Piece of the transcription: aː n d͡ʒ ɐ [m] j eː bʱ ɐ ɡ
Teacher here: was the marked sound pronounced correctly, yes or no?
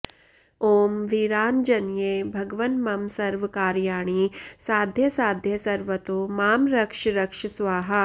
no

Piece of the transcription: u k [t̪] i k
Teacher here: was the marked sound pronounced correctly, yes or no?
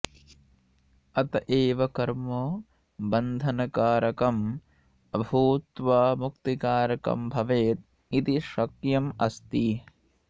yes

